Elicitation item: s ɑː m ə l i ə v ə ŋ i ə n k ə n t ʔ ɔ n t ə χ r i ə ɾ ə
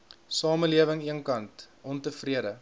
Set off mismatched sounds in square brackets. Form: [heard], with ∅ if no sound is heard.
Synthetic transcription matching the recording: s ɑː m ə l i ə v ə ŋ i ə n k [ɐ] n t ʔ ɔ n t ə [f] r i ə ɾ ə